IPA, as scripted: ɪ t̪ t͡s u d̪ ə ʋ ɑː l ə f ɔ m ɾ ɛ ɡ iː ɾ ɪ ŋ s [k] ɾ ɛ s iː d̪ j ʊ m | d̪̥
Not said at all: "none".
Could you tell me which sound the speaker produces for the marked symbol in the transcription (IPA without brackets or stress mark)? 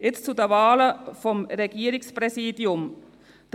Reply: p